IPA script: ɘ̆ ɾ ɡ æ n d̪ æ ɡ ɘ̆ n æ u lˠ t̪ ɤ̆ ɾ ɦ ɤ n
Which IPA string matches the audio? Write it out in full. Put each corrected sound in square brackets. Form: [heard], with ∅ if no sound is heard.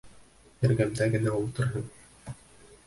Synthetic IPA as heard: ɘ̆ ɾ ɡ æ [m] d̪ æ ɡ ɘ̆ n æ u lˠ t̪ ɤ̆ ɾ ɦ ɤ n